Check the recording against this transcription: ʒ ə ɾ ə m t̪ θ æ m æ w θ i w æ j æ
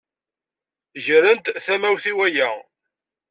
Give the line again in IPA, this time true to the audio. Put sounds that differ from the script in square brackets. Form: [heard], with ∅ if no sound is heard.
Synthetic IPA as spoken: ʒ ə ɾ ə [n] t̪ θ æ m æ w θ i w æ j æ